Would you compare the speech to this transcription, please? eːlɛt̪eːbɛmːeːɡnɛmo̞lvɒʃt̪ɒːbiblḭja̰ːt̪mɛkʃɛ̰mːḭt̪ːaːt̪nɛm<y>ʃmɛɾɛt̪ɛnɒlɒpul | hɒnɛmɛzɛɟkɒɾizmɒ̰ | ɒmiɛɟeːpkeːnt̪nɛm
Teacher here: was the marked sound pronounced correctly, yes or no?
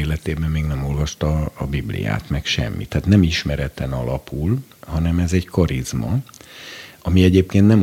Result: no